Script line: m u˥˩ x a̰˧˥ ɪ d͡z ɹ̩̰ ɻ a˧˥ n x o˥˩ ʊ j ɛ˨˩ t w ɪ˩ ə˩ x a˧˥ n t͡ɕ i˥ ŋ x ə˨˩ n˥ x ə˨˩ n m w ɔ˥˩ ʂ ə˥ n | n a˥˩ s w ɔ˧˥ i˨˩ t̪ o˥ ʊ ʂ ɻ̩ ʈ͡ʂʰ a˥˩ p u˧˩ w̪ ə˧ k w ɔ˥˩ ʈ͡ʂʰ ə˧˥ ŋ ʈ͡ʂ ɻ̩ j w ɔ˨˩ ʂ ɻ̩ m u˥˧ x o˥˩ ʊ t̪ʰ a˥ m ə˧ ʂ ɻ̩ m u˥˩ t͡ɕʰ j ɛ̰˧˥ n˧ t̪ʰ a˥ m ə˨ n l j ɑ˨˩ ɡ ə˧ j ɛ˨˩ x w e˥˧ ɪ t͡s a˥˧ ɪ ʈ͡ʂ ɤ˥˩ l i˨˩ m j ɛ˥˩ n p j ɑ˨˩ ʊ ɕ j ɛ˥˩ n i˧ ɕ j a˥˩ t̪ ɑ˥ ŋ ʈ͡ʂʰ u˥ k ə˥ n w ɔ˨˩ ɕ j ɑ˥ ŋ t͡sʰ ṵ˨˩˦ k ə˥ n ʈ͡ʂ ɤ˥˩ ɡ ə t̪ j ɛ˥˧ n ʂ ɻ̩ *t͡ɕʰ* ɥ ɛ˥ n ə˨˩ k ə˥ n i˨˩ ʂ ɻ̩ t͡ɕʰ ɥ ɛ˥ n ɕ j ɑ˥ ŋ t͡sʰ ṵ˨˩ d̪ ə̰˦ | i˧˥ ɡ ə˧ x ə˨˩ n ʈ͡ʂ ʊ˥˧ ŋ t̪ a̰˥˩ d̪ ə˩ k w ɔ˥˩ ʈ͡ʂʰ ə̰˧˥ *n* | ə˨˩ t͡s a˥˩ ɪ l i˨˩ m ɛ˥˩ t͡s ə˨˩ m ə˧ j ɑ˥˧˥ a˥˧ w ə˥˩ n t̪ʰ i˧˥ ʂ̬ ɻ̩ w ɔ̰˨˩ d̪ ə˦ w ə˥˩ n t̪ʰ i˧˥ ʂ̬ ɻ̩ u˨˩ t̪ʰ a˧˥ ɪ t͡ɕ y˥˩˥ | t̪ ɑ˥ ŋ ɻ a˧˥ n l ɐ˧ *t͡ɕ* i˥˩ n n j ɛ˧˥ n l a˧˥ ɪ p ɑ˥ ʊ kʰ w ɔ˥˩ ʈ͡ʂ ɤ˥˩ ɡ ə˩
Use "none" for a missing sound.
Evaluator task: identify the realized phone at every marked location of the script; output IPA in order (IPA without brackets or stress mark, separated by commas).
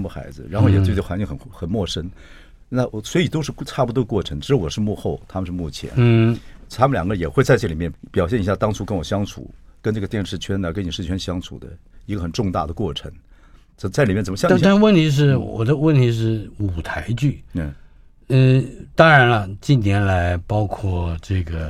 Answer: t͡ɕʰ, ŋ, t͡ɕ